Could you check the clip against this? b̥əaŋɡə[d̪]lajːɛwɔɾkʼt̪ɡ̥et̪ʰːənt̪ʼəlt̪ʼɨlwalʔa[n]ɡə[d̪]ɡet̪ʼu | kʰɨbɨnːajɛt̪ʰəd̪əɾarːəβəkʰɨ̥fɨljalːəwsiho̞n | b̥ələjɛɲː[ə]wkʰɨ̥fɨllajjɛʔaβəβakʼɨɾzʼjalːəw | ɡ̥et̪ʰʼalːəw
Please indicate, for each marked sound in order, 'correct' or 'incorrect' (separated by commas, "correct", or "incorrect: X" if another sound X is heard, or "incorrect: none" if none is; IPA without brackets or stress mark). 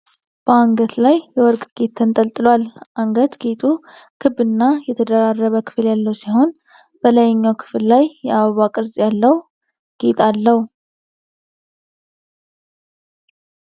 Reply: incorrect: t̪, incorrect: ŋ, incorrect: t̪, incorrect: a